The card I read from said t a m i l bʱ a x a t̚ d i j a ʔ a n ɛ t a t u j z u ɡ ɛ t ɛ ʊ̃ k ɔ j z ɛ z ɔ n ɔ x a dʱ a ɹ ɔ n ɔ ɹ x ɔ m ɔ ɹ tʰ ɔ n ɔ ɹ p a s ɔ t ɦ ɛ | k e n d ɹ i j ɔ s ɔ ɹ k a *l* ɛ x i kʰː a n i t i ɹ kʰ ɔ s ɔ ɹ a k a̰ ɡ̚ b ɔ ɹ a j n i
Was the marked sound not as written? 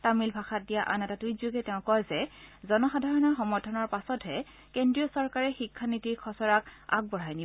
yes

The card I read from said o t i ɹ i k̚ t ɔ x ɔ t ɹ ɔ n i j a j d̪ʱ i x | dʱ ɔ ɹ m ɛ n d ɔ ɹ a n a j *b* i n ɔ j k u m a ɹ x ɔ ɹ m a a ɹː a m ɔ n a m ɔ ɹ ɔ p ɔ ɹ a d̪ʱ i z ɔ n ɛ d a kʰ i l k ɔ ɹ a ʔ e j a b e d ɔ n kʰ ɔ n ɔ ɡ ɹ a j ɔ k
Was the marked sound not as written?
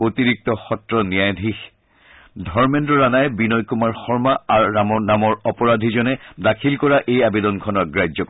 no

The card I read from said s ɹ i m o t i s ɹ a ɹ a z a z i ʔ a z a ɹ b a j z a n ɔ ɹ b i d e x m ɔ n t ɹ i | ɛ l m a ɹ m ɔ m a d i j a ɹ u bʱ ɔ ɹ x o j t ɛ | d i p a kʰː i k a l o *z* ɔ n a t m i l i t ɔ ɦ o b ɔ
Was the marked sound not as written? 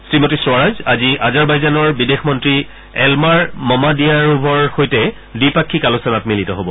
yes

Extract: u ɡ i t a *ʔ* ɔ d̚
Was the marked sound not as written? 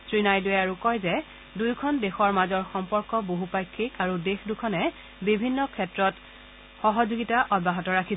no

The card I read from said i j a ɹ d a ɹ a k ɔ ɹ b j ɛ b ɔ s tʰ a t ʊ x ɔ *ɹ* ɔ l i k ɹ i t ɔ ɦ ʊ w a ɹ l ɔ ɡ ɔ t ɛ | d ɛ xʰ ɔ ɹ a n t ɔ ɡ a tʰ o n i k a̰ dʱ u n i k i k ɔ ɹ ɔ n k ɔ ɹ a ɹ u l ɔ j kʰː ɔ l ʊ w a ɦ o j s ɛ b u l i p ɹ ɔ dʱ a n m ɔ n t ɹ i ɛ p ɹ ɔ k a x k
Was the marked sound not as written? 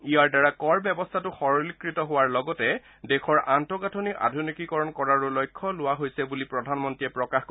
no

